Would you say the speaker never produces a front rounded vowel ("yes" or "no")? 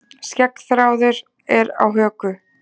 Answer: no